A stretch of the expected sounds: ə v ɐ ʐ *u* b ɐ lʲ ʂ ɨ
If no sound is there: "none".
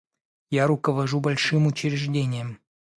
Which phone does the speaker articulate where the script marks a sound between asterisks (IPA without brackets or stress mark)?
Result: u